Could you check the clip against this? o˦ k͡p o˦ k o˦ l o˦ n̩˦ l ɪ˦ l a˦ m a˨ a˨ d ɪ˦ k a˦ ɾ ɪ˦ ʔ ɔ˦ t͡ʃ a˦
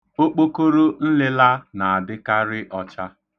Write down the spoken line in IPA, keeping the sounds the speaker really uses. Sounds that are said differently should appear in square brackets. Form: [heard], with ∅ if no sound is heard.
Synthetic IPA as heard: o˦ k͡p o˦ k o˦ [ɾ] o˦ n̩˦ l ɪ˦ l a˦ [n] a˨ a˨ d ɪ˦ k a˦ ɾ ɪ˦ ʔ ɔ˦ t͡ʃ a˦